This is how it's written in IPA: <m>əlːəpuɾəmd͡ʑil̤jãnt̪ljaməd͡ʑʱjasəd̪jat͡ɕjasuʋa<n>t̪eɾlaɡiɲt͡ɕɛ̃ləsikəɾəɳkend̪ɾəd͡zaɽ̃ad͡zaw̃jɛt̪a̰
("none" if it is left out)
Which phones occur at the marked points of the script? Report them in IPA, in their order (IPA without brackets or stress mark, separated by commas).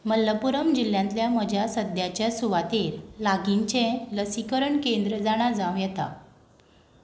m, none